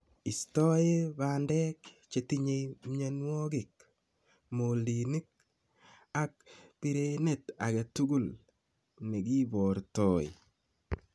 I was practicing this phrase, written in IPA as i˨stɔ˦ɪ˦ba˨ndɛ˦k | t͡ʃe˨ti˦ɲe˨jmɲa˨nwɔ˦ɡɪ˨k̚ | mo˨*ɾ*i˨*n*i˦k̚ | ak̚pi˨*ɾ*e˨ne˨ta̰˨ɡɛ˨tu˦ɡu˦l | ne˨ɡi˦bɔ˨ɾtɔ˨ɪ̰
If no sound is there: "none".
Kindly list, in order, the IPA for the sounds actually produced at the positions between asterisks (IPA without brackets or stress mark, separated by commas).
l, n, ɾ